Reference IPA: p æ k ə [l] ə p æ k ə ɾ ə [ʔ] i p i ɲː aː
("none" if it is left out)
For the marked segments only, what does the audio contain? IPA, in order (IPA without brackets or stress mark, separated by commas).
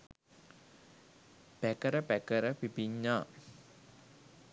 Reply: ɾ, p